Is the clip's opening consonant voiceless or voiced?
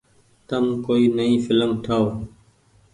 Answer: voiceless